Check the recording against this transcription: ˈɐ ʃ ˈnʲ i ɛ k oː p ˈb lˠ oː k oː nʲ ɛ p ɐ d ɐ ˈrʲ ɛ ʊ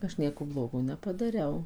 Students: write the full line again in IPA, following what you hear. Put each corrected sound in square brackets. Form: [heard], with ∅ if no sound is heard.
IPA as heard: ˈɐ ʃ ˈnʲ i ɛ k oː [∅] ˈb lˠ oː [ɡ] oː nʲ ɛ p ɐ d ɐ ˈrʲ ɛ ʊ